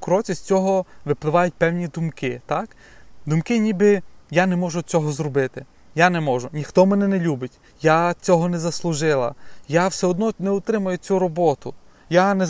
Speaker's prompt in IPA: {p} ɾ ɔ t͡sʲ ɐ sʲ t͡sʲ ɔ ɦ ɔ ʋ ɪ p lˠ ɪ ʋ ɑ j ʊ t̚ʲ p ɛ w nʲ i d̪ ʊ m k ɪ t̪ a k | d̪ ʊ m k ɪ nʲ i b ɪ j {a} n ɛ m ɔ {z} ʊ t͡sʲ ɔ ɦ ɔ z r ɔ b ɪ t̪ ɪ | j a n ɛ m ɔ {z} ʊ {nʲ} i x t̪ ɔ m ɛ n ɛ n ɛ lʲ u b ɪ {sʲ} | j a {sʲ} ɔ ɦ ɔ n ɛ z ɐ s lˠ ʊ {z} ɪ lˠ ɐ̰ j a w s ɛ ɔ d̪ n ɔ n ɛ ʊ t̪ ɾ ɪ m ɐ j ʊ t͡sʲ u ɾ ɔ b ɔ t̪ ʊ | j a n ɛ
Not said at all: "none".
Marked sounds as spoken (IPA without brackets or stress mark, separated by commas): k, a, ʒ, ʒ, nʲ, tʲ, t͡sʲ, ʒ